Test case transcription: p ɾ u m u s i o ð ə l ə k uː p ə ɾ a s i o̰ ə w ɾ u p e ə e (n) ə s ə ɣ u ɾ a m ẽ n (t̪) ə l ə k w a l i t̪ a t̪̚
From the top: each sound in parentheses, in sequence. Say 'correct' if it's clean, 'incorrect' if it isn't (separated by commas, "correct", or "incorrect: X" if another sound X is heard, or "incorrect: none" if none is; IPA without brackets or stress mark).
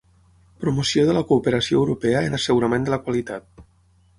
correct, incorrect: d̪